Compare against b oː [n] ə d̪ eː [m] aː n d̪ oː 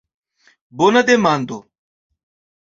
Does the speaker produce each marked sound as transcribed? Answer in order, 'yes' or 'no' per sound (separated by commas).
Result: yes, yes